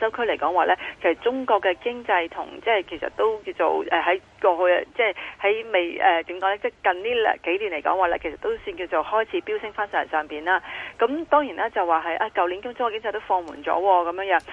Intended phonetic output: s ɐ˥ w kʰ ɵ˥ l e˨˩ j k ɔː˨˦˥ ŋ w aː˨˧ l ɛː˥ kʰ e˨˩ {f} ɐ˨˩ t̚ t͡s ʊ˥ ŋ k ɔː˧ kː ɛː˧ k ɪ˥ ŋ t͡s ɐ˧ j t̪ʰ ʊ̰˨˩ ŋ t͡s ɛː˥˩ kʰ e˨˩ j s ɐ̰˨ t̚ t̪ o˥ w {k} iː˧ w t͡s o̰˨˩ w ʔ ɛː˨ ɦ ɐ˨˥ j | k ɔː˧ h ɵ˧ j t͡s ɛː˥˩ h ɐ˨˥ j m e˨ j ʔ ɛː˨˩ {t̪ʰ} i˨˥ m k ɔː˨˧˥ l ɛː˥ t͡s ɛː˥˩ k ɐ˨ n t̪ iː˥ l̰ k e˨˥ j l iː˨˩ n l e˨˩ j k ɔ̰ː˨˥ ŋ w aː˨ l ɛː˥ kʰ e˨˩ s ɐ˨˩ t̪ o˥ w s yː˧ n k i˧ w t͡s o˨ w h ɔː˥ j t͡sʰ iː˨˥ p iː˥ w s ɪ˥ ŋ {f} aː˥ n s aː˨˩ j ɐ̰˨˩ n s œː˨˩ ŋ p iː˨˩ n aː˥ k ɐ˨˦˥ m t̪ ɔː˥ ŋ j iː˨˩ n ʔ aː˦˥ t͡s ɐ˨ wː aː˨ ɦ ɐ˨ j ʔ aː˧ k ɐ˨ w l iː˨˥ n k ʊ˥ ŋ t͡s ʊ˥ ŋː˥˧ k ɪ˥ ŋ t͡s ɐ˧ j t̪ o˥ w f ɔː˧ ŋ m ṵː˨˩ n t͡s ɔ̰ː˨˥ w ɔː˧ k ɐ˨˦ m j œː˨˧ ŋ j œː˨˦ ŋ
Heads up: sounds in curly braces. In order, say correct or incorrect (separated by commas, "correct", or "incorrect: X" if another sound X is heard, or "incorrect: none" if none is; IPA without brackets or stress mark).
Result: incorrect: s, correct, incorrect: t̪, correct